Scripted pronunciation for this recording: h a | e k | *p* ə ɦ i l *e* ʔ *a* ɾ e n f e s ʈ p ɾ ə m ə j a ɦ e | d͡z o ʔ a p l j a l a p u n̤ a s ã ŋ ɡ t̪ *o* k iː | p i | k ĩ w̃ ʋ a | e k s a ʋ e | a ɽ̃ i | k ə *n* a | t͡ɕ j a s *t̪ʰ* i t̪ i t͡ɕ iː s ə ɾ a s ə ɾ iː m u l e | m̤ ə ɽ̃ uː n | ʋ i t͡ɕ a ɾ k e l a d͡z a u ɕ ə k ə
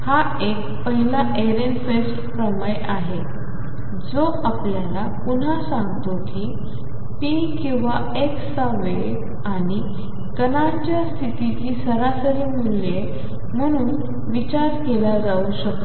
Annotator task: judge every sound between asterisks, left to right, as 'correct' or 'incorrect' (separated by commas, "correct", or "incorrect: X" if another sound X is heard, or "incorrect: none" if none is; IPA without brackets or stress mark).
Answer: correct, incorrect: a, incorrect: e, correct, correct, correct